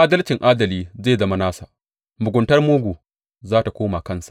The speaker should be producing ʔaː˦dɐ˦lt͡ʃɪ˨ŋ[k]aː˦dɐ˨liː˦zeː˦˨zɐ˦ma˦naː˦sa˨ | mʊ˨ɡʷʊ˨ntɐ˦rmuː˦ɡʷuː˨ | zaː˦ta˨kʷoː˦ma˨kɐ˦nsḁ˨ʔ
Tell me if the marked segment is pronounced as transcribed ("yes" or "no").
no